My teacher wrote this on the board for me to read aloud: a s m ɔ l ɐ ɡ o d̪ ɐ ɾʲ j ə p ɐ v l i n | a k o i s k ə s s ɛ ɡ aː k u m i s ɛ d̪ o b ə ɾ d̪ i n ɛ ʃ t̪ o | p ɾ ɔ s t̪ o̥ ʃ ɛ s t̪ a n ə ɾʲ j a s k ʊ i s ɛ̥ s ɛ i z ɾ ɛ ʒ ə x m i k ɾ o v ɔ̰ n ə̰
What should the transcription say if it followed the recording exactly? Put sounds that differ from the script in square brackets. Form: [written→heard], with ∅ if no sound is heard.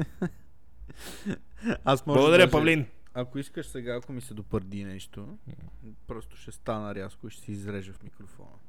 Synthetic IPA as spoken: a s m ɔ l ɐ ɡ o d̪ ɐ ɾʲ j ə p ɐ v l i n | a k o i s k ə [s→ʃ] s ɛ ɡ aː k [u→o] m i s ɛ d̪ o [b→p] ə ɾ d̪ i n ɛ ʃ t̪ o | p ɾ ɔ s t̪ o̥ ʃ ɛ s t̪ a n ə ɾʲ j a s k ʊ i [s→ʃ] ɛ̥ s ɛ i z ɾ ɛ ʒ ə [x→f] m i k ɾ o [v→f] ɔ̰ n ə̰